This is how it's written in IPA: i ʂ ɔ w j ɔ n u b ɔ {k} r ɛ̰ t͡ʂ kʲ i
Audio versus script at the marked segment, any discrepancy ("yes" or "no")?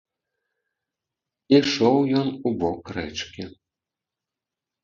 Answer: no